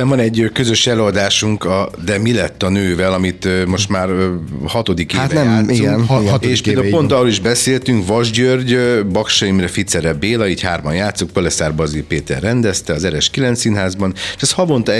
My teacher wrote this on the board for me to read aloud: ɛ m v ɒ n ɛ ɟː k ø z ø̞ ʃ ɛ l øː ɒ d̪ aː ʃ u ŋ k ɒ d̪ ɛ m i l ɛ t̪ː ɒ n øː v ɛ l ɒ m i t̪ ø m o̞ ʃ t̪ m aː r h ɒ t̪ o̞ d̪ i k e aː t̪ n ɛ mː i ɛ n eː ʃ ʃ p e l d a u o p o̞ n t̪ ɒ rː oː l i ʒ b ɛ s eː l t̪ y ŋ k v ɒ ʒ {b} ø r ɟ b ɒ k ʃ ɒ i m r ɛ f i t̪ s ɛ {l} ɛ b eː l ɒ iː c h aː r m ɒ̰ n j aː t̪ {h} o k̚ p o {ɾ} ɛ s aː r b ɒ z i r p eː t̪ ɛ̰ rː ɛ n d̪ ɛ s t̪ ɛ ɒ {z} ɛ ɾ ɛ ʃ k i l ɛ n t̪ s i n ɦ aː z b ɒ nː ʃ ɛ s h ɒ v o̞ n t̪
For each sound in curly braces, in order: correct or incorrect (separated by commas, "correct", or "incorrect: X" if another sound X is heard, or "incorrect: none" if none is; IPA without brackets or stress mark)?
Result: incorrect: ɟ, incorrect: ɾ, incorrect: s, incorrect: l, correct